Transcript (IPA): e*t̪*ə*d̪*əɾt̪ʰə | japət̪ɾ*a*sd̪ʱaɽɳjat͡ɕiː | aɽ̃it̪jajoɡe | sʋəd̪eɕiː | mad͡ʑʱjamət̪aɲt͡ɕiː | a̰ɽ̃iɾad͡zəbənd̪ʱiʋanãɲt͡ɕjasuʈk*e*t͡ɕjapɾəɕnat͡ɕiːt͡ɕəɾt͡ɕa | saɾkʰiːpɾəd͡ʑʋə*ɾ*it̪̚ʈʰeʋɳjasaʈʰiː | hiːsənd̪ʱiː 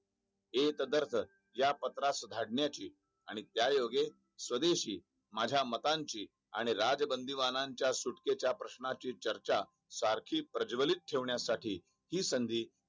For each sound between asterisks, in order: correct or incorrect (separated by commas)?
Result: correct, correct, correct, correct, incorrect